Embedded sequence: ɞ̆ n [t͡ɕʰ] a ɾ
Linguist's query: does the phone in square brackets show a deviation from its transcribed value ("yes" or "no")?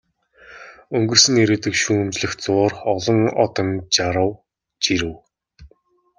yes